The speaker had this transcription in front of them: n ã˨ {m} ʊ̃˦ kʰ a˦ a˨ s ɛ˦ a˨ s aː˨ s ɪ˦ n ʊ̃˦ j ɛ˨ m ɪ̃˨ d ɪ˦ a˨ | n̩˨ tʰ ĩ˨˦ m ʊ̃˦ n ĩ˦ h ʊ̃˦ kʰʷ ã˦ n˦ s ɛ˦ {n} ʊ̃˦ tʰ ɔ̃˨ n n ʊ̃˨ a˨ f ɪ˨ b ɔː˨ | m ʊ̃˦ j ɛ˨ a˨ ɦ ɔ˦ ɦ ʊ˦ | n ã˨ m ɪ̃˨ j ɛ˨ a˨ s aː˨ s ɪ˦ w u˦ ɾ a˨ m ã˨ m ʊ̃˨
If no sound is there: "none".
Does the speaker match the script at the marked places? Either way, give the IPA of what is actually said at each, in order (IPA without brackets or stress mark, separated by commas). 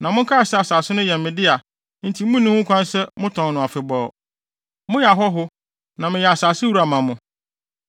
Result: m, m